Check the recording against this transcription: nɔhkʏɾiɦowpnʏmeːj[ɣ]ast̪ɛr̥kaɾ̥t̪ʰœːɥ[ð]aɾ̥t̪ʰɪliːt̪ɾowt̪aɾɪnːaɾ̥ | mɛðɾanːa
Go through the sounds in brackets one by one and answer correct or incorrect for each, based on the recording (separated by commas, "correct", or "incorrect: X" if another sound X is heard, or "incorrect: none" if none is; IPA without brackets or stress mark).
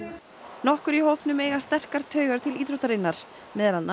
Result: correct, incorrect: ɣ